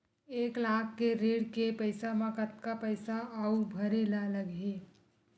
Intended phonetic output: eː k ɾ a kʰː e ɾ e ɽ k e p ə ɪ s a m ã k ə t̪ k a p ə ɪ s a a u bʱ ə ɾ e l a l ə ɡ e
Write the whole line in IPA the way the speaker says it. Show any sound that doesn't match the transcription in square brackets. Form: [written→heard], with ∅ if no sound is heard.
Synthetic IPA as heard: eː k [ɾ→l] a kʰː e ɾ e ɽ k e p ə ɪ s a m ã k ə t̪ k a p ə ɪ s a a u bʱ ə ɾ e l a l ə ɡ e